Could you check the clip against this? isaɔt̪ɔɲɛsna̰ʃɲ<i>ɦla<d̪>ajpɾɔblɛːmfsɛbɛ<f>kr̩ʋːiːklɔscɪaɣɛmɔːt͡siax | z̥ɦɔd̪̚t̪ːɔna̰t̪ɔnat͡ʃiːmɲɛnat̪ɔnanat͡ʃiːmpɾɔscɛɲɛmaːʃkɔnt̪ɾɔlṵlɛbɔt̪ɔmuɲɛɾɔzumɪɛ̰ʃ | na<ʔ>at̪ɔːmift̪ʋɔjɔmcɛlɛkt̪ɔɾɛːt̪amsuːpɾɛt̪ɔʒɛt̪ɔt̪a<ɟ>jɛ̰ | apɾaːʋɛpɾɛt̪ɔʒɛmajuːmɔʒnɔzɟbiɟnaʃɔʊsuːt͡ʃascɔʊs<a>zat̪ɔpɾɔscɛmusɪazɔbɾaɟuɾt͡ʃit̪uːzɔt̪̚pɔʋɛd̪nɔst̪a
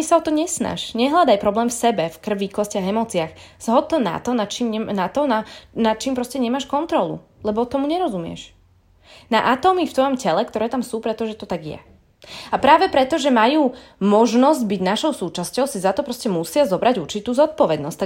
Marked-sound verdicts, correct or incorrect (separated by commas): incorrect, correct, correct, correct, incorrect, incorrect